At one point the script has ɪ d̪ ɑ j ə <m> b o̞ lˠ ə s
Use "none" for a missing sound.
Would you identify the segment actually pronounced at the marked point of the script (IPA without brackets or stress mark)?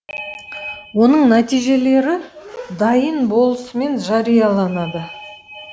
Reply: n